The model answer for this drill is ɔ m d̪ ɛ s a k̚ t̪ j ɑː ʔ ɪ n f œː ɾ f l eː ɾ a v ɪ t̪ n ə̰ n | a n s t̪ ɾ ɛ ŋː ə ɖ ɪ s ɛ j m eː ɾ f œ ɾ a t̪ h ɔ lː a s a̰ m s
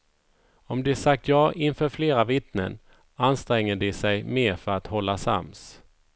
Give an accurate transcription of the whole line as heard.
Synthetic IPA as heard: ɔ m d̪ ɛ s a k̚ t̪ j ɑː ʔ ɪ n f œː ɾ f l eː ɾ a v ɪ t̪ n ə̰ n | a n s t̪ ɾ ɛ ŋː ə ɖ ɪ s ɛ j m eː ɾ f œ ɾ a t̪ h ɔ lː a s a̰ m s

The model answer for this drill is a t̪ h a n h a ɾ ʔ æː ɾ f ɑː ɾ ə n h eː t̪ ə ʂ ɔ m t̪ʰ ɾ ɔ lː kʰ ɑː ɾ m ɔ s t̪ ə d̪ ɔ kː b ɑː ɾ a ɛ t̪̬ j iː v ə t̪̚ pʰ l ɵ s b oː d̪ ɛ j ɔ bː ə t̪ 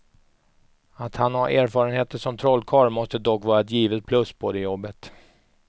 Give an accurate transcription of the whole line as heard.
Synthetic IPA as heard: a t̪ h a n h a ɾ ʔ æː ɾ f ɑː ɾ ə n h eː t̪ ə ʂ ɔ m t̪ʰ ɾ ɔ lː kʰ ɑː ɾ m ɔ s t̪ ə d̪ ɔ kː v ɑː ɾ a ɛ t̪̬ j iː v ə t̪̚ pʰ l ɵ s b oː d̪ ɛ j ɔ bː ə t̪

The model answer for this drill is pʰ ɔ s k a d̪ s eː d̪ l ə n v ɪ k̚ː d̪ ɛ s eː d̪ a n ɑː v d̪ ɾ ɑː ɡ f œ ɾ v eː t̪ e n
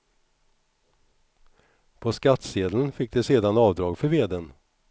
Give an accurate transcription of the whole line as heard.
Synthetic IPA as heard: pʰ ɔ s k a t̪ s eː d̪ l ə n f ɪ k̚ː d̪ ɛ s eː d̪ a n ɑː v d̪ ɾ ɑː ɡ f œ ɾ v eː d̪ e n

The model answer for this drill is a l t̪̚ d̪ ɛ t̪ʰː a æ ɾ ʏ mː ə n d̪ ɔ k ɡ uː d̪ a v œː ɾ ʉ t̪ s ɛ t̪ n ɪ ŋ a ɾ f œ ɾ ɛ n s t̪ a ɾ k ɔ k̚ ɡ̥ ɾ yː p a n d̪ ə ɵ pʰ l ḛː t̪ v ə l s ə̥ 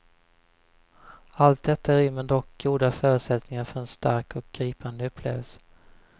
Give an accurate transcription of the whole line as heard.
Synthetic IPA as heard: a l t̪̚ d̪ ɛ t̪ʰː a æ ɾ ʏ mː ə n d̪ ɔ k ɡ uː d̪ a f œː ɾ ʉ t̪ s ɛ t̪ n ɪ ŋ a ɾ f œ ɾ ɛ n s t̪ a ɾ k ɔ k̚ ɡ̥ ɾ iː p a n d̪ ə ɵ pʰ l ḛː v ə l s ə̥

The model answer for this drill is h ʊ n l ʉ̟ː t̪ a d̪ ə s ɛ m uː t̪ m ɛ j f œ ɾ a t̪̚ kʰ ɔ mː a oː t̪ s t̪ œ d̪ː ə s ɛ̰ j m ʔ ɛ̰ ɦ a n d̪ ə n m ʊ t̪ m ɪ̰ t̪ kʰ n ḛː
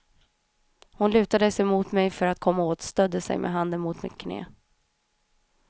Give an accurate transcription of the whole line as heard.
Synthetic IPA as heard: h ʊ n l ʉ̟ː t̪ a d̪ ə s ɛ m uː t̪ m ɛ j f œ ɾ a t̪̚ kʰ ɔ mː a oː t̪ s t̪ œ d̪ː ə s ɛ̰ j m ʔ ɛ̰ ɦ a n d̪ ə n m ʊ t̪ m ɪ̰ t̪ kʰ n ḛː

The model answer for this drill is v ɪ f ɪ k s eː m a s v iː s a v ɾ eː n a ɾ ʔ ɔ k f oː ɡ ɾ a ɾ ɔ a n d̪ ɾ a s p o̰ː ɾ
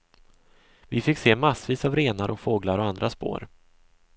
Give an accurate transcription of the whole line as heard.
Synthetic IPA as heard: v ɪ f ɪ k s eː m a s v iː s a v ɾ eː n a ɾ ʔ ɔ k f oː ɡ l a ɾ ɔ a n d̪ ɾ a s p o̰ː ɾ

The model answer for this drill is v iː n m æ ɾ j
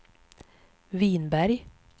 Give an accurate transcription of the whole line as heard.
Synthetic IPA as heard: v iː n b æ ɾ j

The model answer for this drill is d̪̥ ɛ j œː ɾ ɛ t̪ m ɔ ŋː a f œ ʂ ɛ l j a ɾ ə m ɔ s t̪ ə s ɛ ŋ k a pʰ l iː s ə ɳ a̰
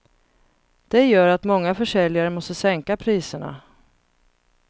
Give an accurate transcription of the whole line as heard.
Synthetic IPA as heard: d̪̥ ɛ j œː ɾ a t̪ m ɔ ŋː a f œ ʂ ɛ l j a ɾ ə m ɔ s t̪ ə s ɛ ŋ k a pʰ ɾ iː s ə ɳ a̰

